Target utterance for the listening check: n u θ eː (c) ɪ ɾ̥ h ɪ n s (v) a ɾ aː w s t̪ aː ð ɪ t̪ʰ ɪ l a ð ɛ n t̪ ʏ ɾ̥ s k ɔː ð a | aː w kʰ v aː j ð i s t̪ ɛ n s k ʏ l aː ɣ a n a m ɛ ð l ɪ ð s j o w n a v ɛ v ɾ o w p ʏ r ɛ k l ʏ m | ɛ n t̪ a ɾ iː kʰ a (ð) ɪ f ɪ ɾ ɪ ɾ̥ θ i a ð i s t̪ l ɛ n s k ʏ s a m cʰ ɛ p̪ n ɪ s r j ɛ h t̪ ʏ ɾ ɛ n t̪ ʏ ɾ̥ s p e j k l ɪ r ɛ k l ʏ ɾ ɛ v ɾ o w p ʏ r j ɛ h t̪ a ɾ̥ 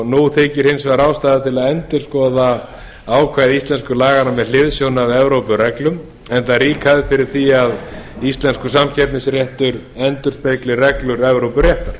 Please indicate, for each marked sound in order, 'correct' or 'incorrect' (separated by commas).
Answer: correct, correct, correct